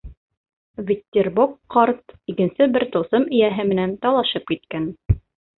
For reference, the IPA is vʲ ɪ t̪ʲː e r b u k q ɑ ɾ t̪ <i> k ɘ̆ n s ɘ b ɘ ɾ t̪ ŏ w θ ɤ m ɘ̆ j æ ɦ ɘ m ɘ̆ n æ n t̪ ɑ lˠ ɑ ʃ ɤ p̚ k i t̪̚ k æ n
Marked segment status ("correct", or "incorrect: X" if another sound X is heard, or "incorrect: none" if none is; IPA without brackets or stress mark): correct